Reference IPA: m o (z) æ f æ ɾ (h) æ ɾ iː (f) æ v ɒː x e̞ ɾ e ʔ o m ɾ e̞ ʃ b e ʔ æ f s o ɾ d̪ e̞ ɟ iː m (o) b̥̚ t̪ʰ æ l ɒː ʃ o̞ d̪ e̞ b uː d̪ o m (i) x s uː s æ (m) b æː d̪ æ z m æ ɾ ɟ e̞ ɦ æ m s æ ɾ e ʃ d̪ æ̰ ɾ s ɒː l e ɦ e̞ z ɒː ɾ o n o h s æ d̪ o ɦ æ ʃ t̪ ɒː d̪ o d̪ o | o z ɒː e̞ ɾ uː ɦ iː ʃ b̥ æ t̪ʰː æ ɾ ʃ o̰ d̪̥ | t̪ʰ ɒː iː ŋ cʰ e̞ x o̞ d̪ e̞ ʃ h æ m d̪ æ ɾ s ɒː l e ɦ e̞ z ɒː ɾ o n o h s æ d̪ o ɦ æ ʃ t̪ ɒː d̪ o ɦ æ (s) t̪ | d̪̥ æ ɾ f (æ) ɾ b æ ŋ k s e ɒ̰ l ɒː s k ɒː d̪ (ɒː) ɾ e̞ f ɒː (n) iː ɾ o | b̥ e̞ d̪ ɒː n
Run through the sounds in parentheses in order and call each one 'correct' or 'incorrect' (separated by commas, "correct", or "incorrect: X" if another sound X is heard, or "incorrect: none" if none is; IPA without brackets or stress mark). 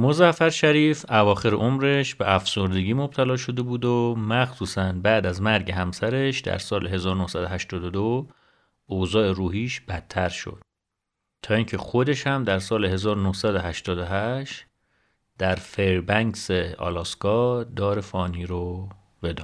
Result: correct, incorrect: ʃ, correct, correct, incorrect: æ, incorrect: n, incorrect: ʃ, incorrect: e, correct, correct